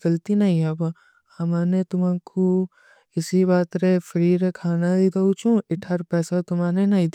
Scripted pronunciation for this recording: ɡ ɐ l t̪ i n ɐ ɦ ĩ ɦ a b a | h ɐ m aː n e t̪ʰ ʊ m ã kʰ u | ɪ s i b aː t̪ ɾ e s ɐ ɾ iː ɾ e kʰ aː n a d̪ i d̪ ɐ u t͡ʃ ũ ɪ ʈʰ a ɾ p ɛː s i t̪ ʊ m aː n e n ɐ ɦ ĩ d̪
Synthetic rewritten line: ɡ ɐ l t̪ i n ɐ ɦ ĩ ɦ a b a | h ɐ m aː n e t̪ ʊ m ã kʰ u | ɪ s i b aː t̪ ɾ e f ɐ ɾ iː ɾ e kʰ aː n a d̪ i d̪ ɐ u t͡ʃ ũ ɪ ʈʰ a ɾ p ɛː s a t̪ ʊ m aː n e n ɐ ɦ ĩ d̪